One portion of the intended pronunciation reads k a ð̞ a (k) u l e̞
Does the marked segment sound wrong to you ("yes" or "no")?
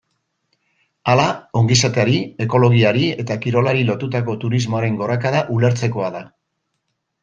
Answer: yes